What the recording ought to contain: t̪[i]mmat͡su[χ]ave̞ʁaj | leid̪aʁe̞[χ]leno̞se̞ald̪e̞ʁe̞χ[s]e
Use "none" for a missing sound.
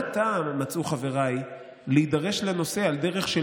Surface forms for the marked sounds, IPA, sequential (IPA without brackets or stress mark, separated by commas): a, χ, ʃ, ʃ